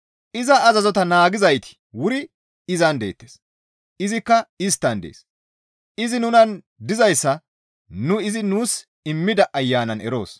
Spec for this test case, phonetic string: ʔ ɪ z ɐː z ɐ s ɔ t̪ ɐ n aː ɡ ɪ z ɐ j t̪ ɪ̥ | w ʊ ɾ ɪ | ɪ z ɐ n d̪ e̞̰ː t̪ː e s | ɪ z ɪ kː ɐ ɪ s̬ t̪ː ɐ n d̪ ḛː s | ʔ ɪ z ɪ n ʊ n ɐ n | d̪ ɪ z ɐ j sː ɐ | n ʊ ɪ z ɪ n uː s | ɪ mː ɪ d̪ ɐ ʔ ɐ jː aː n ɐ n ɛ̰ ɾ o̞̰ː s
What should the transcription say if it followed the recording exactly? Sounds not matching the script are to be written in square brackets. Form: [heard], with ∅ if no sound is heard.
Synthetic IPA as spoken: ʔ ɪ z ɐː z ɐ [z] ɔ t̪ ɐ n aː ɡ ɪ z ɐ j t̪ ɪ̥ | w ʊ ɾ ɪ | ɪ z ɐ n d̪ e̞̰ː t̪ː e s | ɪ z ɪ kː ɐ ɪ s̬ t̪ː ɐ n d̪ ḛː s | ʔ ɪ z ɪ n ʊ n ɐ n | d̪ ɪ z ɐ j sː ɐ | n ʊ ɪ z ɪ n uː s | ɪ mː ɪ d̪ ɐ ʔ ɐ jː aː n ɐ n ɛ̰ ɾ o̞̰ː s